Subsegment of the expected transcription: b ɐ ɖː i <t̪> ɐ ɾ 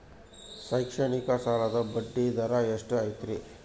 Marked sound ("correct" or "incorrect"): incorrect